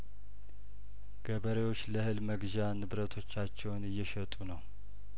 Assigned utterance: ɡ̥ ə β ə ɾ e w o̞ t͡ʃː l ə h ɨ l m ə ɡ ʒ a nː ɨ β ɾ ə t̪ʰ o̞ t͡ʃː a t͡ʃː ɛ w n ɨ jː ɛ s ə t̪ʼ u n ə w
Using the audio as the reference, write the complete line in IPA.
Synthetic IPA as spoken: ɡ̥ ə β ə ɾ e w o̞ t͡ʃː l ə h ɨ l m ə ɡ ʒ a n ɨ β ɾ ə t̪ʰ o̞ t͡ʃː a t͡ʃː ɛ w n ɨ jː ɛ ʃ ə t̪ʼ u n ə w